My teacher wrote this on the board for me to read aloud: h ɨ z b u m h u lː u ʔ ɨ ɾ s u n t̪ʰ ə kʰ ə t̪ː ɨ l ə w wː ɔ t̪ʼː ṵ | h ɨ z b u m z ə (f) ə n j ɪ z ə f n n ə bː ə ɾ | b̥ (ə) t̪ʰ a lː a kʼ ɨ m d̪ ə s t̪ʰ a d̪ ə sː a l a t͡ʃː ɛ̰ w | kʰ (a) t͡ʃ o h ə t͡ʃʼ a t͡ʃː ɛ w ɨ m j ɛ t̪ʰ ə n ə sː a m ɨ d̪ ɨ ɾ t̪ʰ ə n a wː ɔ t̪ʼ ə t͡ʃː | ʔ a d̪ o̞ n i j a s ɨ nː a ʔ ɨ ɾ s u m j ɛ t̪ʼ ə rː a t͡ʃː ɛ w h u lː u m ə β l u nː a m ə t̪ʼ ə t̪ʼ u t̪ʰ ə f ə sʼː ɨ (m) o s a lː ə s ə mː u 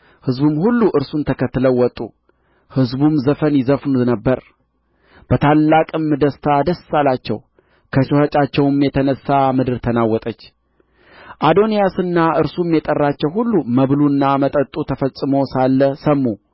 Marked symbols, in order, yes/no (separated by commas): yes, yes, no, yes